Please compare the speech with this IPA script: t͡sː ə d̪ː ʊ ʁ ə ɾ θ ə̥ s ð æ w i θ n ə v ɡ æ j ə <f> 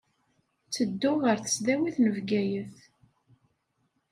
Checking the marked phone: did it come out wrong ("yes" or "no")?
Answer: yes